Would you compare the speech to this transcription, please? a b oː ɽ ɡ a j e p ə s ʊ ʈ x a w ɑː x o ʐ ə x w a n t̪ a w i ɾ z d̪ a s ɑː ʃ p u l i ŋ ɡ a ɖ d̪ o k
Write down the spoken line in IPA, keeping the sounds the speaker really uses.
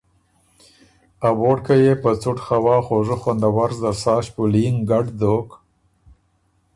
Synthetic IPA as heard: a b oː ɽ k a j e p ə t͡s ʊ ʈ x a w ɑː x o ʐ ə x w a n d̪ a w a ɾ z d̪ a s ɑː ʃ p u l i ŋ ɡ a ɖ d̪ o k